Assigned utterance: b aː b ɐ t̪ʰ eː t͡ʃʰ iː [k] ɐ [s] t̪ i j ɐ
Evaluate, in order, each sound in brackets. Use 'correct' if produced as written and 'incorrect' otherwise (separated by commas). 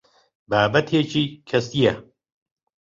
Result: incorrect, correct